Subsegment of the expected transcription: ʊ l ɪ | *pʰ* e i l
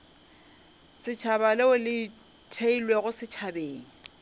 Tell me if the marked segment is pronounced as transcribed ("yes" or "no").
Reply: no